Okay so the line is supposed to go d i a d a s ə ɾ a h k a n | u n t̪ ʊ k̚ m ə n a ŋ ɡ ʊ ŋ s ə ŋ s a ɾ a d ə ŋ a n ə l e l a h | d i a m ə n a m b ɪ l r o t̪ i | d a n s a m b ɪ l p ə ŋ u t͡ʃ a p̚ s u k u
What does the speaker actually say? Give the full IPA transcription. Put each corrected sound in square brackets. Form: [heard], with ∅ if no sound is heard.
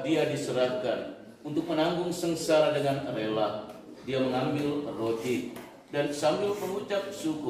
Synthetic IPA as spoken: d i a d [i] s ə ɾ a h k a n | u n t̪ ʊ k̚ m ə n a ŋ ɡ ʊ ŋ s ə ŋ s a ɾ a d ə ŋ a n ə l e l a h | d i a m ə [ŋ] a m b ɪ l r o t̪ i | d a n s a m b ɪ l p ə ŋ u t͡ʃ a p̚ s u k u

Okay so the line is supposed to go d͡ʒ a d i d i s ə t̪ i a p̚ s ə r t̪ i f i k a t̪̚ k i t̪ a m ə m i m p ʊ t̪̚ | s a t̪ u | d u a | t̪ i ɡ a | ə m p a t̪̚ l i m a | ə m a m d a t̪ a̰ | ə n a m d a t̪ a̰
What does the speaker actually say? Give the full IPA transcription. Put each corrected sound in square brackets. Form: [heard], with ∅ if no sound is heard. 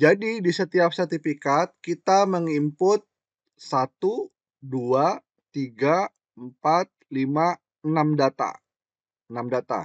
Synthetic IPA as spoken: d͡ʒ a d i d i s ə t̪ i a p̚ s ə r t̪ i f i k a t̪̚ k i t̪ a m ə [ŋ] i m p ʊ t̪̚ | s a t̪ u | d u a | t̪ i ɡ a | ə m p a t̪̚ l i m a | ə [n] a m d a t̪ a̰ | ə n a m d a t̪ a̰

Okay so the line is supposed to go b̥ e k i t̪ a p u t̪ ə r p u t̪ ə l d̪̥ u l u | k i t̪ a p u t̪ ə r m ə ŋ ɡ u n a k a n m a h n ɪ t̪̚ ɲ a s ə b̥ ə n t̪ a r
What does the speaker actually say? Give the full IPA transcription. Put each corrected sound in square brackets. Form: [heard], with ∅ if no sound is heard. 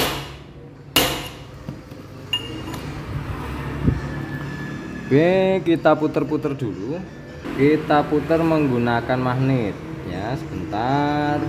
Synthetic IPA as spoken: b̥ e k i t̪ a p u t̪ ə r p u t̪ ə [r] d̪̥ u l u | k i t̪ a p u t̪ ə r m ə ŋ ɡ u n a k a n m a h n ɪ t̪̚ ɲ a s ə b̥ ə n t̪ a r

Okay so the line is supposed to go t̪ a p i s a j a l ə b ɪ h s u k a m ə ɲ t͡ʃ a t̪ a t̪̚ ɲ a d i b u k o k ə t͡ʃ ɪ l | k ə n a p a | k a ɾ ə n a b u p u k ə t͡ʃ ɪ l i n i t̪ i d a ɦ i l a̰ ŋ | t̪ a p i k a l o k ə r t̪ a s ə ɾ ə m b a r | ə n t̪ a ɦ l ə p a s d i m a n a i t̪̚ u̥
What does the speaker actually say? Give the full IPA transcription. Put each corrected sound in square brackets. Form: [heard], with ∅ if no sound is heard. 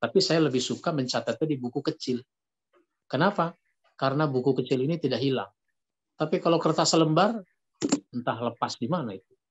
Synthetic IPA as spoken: t̪ a p i s a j a l ə b ɪ h s u k a m ə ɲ t͡ʃ a t̪ a t̪̚ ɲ a d i b u k [u] k ə t͡ʃ ɪ l | k ə n a p a | k a ɾ ə n a b u [k] u k ə t͡ʃ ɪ l i n i t̪ i d a ɦ i l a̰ ŋ | t̪ a p i k a l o k ə r t̪ a s ə [l] ə m b a r | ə n t̪ a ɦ l ə p a s d i m a n a i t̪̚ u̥

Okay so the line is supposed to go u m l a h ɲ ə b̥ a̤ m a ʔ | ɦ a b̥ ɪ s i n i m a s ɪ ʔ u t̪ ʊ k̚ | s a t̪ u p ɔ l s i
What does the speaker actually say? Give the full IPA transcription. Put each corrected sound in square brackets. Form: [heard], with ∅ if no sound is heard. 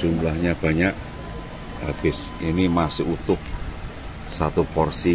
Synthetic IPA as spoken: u m l a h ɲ [a] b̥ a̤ [ɲ] a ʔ | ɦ a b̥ ɪ s i n i m a s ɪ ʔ u t̪ ʊ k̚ | s a t̪ u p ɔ [r] s i

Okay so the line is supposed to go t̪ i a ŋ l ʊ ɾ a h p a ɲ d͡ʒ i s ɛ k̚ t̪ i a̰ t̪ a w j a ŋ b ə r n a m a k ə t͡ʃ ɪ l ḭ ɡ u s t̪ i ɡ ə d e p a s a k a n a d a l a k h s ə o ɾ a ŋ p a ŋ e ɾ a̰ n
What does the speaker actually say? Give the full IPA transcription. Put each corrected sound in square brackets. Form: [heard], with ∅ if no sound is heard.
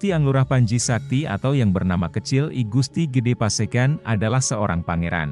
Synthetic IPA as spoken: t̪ i a ŋ l [u] ɾ a h p a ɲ d͡ʒ i s [a] k̚ t̪ i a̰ t̪ a w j a ŋ b ə r n a m a k ə t͡ʃ ɪ l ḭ ɡ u s t̪ i ɡ ə d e p a s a k a n a d a l a [∅] h s ə o ɾ a ŋ p a ŋ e ɾ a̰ n

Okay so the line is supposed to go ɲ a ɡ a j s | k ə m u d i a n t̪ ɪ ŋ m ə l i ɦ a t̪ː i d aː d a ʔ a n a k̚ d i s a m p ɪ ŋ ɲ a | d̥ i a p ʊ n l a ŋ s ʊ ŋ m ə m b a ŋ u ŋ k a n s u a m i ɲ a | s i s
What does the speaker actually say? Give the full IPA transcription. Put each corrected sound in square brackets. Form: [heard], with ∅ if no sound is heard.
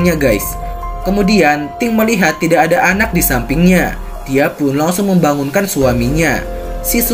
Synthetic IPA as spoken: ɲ a ɡ a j s | k ə m u d i a n t̪ ɪ ŋ m ə l i ɦ a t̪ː i d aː d a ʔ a n a k̚ d i s a m p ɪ ŋ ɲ a | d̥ i a p ʊ n l a ŋ s ʊ ŋ m ə m b a ŋ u [n] k a n s u a m i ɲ a | s i s

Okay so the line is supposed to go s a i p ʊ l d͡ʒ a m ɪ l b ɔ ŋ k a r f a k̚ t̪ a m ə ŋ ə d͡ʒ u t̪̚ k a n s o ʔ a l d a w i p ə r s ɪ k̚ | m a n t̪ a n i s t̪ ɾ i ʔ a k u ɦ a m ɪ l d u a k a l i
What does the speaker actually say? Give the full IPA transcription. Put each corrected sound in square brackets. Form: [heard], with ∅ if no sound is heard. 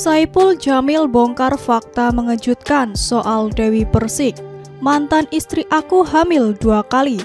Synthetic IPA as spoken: s a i p ʊ l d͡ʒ a m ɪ l b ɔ ŋ k a r f a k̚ t̪ a m ə ŋ ə d͡ʒ u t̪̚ k a n s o ʔ a l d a w i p ə r s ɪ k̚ | m a n t̪ a n i s t̪ ɾ i ʔ a k u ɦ a m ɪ l d u a k a l i

